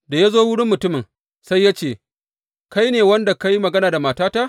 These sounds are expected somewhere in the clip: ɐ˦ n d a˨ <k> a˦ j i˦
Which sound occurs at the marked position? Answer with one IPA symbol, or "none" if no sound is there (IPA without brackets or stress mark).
k